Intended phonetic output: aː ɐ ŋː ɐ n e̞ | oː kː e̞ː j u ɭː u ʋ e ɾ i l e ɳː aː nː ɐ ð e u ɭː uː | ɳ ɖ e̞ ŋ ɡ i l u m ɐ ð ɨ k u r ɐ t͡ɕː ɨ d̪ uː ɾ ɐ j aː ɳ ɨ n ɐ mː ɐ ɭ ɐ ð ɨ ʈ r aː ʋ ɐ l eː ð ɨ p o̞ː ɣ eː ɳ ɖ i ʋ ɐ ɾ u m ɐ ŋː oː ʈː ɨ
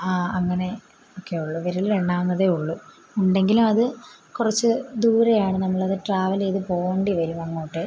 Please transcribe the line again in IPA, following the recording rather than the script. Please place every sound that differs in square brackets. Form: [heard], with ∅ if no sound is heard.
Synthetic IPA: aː ɐ ŋː ɐ n e̞ | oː kː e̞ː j u ɭː u ʋ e ɾ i l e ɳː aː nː ɐ ð e u ɭː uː | ɳ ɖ e̞ ŋ ɡ i l u m ɐ ð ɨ k u r ɐ t͡ɕː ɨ d̪ uː ɾ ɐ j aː ɳ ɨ n ɐ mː ɐ ɭ ɐ ð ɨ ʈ r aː ʋ ɐ l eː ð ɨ p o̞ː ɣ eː ɳ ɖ i ʋ ɐ ɾ u m ɐ ŋː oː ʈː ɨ